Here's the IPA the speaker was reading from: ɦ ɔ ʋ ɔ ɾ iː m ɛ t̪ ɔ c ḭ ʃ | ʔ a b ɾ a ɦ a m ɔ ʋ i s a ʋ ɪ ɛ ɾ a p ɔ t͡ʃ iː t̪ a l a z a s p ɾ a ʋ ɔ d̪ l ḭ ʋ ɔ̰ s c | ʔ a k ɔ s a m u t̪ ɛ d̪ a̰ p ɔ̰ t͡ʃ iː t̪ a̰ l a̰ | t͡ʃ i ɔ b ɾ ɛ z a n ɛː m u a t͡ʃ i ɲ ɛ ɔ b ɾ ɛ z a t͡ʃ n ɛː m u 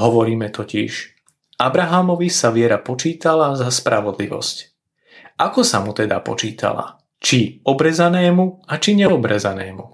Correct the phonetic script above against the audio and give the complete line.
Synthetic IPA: ɦ ɔ ʋ ɔ ɾ iː m ɛ t̪ ɔ c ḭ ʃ | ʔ a b ɾ a ɦ a m ɔ ʋ i s a ʋ ɪ ɛ ɾ a p ɔ t͡ʃ iː t̪ a l a z a s p ɾ a ʋ ɔ d̪ l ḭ ʋ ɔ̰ s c | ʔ a k ɔ s a m u t̪ ɛ d̪ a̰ p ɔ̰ t͡ʃ iː t̪ a̰ l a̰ | t͡ʃ i ɔ b ɾ ɛ z a n ɛː m u a t͡ʃ i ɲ ɛ ɔ b ɾ ɛ z a n ɛː m u